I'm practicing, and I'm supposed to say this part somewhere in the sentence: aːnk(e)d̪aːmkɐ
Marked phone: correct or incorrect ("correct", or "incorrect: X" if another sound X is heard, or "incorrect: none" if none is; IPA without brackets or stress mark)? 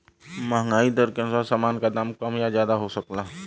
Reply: incorrect: a